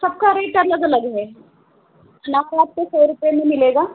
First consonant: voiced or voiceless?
voiceless